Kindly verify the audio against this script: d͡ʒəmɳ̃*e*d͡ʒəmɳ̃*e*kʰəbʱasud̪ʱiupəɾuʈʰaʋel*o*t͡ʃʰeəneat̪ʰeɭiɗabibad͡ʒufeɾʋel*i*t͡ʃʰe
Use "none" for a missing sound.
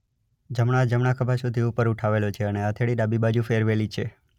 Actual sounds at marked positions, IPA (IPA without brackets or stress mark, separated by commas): a, a, o, i